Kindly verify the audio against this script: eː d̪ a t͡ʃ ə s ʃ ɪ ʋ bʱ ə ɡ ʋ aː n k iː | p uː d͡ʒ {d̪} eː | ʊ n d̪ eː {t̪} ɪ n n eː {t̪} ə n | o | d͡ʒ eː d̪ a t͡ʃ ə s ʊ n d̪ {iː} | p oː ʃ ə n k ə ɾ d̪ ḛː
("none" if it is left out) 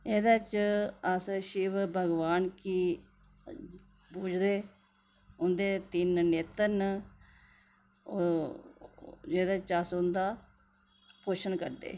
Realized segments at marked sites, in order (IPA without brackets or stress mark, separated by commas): d̪, t̪, t̪, aː